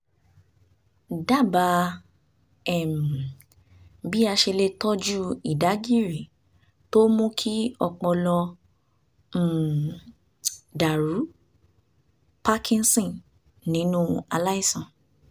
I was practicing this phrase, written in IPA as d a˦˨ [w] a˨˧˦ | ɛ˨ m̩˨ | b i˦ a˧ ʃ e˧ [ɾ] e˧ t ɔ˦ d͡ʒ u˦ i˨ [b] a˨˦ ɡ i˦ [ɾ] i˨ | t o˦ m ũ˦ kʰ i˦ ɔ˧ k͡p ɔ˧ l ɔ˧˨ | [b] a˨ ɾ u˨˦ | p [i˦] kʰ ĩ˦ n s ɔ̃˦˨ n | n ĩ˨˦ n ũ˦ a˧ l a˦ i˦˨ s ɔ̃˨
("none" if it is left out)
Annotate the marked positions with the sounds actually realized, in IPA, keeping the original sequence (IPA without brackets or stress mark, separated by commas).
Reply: b, l, d, ɾ, d, a˦